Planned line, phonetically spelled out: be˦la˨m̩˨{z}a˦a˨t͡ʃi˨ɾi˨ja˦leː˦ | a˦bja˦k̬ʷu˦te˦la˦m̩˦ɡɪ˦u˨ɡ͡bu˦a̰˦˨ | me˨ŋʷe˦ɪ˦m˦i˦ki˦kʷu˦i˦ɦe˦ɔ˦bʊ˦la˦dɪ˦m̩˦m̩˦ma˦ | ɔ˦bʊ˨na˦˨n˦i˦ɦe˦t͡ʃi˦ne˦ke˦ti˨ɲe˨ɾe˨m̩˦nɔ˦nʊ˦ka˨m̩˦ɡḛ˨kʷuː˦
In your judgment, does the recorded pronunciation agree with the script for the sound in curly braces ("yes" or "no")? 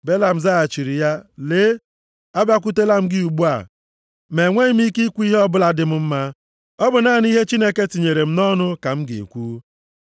yes